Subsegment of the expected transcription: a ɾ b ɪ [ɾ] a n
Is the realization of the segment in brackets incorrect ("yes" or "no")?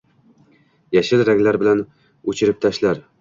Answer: yes